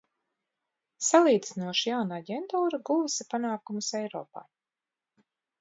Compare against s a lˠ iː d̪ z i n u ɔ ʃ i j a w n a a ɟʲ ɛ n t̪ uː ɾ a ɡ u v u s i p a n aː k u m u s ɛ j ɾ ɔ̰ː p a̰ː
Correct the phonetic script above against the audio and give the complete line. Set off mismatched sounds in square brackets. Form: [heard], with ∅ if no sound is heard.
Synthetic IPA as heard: s a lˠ iː d̪ z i n u ɔ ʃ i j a w n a a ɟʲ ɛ n t̪ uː ɾ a ɡ u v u s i p a n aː k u m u s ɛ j ɾ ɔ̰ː p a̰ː